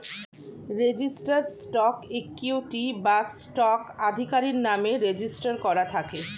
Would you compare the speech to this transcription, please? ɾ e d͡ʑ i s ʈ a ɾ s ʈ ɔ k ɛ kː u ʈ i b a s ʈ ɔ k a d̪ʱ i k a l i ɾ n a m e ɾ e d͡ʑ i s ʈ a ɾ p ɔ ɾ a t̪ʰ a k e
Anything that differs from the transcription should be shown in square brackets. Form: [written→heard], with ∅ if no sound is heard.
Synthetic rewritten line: ɾ e d͡ʑ i s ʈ a ɾ s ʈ ɔ k [ɛ→e] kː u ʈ i b a s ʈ ɔ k a d̪ʱ i k a [l→ɾ] i ɾ n a m e ɾ e d͡ʑ i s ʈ a ɾ [p→k] ɔ ɾ a t̪ʰ a k e

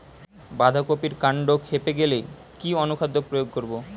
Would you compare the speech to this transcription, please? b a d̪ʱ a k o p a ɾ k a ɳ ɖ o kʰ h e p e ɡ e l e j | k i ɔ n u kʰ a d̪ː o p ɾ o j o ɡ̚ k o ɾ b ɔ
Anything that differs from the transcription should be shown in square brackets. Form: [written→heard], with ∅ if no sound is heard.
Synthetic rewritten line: b a d̪ʱ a k o p [a→i] ɾ k a ɳ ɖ o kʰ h e p e ɡ e l e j | k i ɔ n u kʰ a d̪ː o p ɾ o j o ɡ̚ k o ɾ b [ɔ→o]

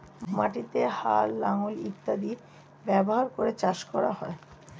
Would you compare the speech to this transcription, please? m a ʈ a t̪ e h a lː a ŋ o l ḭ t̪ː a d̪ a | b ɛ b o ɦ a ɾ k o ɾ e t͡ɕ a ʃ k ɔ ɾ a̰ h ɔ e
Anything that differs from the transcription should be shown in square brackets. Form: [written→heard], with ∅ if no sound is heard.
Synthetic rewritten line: m a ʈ [a→i] t̪ e h a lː a ŋ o l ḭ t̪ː a d̪ [a→i] | b ɛ b o ɦ a ɾ k o ɾ e t͡ɕ a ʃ k ɔ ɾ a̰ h ɔ e

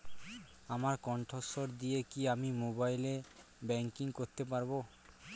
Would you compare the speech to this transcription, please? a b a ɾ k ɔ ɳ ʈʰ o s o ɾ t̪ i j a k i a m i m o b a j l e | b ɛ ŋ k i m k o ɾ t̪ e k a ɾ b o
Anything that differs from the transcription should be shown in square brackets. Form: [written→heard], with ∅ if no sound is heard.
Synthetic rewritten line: a [b→m] a ɾ k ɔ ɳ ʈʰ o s o ɾ [t̪→d̪] i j [a→e] k i a m i m o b a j l e | b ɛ ŋ k i [m→ŋ] k o ɾ t̪ e [k→p] a ɾ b o

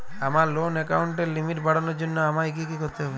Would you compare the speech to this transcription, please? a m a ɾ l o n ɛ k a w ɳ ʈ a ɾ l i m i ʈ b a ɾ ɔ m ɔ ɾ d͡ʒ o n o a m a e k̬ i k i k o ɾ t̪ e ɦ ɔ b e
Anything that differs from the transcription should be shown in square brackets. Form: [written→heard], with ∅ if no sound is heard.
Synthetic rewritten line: a m a ɾ l o n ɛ k a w ɳ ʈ [a→e] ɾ l i m i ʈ b a [ɾ→ɽ] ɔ [m→n] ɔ ɾ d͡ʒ o [n→nː] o a m a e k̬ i k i k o ɾ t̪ e ɦ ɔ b e

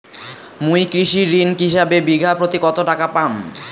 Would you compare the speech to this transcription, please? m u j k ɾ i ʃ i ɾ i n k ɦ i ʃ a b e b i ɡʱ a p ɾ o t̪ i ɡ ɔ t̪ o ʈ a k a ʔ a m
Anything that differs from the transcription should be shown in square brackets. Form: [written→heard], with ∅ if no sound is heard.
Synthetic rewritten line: m u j k ɾ i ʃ i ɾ i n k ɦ i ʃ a b e b i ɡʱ a p ɾ o t̪ i [ɡ→k] ɔ t̪ o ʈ a k a [ʔ→p] a m

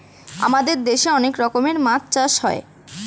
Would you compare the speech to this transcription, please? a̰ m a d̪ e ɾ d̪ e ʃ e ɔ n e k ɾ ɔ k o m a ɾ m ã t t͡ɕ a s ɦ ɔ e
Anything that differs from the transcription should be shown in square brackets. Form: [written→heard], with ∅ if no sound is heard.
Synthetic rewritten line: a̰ m a d̪ e ɾ d̪ e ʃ e ɔ n e k ɾ ɔ k o m [a→e] ɾ m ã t t͡ɕ a [s→ʃ] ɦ ɔ e

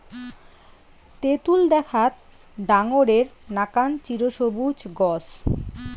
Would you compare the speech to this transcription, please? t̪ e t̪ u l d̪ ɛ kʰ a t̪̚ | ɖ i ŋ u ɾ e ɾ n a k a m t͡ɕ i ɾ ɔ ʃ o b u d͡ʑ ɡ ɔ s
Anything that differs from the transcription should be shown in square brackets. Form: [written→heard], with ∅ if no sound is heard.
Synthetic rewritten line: t̪ e t̪ u l d̪ ɛ kʰ a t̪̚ | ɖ [i→a] ŋ [u→o] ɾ e ɾ n a k a [m→n] t͡ɕ i ɾ [ɔ→o] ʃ o b u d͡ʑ ɡ ɔ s

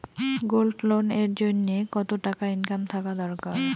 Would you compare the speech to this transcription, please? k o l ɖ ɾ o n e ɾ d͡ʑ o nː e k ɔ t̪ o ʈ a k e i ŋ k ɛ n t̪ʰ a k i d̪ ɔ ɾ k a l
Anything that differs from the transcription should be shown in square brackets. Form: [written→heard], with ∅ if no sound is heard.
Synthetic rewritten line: [k→ɡ] o l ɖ [ɾ→l] o n e ɾ d͡ʑ o nː e k ɔ t̪ o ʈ a k [e→a] i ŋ k [ɛ→a] n t̪ʰ a k [i→a] d̪ ɔ ɾ k a [l→ɾ]

